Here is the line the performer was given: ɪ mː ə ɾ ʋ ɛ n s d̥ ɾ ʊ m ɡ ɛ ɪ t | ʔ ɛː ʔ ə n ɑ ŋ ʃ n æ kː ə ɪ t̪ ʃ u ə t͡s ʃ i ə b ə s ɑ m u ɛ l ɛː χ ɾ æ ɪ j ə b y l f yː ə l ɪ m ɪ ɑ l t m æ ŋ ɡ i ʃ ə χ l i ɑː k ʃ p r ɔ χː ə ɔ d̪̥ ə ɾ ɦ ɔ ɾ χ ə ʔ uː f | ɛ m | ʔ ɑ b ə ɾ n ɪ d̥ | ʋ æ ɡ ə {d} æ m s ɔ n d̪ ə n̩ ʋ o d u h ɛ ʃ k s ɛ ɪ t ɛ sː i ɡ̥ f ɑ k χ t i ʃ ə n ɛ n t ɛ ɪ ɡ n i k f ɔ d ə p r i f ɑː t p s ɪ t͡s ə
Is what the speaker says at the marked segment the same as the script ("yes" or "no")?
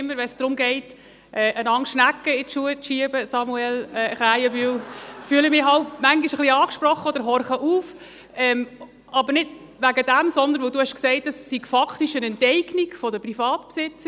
yes